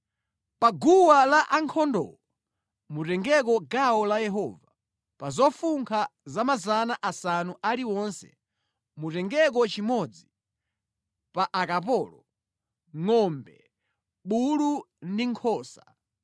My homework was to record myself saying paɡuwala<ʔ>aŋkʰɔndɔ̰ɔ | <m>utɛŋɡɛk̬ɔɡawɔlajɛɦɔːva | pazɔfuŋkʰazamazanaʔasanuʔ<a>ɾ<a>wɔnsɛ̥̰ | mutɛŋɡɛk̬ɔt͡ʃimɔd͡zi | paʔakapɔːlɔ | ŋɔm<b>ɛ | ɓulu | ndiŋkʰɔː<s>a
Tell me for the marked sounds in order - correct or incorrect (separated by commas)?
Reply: correct, correct, correct, incorrect, correct, correct